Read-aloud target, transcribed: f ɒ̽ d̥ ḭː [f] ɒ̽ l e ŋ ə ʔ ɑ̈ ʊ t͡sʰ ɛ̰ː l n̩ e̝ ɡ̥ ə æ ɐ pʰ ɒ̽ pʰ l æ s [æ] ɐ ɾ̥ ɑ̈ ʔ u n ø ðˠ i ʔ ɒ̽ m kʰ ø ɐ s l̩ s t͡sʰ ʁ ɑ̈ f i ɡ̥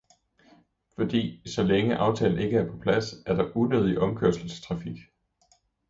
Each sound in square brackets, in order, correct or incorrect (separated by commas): incorrect, correct